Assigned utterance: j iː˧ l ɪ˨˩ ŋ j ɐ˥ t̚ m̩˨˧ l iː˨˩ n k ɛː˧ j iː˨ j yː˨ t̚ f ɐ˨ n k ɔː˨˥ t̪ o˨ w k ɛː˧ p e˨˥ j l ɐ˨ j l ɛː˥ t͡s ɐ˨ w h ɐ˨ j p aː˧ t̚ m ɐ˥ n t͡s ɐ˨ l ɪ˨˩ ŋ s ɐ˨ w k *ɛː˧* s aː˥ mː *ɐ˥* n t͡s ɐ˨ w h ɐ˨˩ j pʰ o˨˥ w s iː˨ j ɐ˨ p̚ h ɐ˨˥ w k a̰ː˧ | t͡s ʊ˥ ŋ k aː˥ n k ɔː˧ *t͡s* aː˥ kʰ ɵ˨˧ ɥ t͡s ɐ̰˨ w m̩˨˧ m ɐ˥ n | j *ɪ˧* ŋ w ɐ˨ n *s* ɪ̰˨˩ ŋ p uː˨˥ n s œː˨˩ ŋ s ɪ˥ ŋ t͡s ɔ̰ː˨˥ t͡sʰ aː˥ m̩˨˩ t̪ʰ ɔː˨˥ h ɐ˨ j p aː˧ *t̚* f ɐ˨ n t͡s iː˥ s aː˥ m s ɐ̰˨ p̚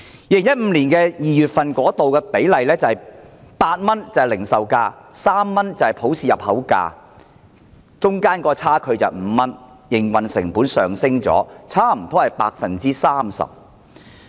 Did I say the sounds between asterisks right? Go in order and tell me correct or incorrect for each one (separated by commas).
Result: incorrect, correct, incorrect, incorrect, correct, incorrect